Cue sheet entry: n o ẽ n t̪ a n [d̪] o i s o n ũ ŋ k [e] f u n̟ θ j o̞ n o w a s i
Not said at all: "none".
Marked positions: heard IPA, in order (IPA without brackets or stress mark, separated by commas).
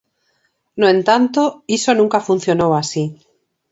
t̪, a